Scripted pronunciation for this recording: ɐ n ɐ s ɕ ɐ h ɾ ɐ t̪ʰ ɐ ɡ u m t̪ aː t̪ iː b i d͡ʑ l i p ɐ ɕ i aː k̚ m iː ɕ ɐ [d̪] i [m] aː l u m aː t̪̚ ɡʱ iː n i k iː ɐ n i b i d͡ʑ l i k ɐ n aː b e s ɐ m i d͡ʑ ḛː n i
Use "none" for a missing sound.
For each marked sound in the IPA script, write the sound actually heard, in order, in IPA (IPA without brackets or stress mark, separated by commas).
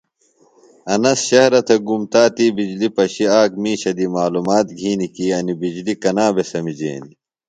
d̪, m